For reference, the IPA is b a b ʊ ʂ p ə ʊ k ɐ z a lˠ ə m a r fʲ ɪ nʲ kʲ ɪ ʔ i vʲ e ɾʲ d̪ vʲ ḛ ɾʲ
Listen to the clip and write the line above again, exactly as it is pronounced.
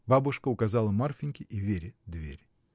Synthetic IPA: b a b ʊ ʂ k ə ʊ k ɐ z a lˠ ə m a r fʲ ɪ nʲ kʲ ɪ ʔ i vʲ e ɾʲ d̪ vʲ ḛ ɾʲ